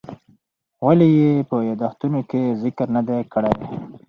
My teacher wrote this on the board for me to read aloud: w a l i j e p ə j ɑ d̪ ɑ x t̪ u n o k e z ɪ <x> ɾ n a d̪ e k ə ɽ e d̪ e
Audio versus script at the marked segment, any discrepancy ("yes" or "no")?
yes